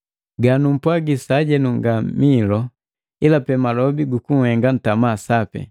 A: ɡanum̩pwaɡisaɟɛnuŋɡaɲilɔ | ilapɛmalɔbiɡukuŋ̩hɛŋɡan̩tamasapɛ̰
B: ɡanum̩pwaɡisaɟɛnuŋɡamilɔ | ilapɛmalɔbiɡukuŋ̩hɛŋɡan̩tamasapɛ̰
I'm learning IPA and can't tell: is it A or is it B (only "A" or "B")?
B